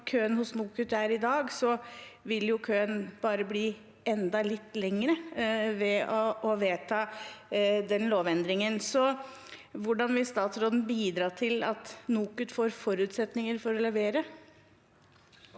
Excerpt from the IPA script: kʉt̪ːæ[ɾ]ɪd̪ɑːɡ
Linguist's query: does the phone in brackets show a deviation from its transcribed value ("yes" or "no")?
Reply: no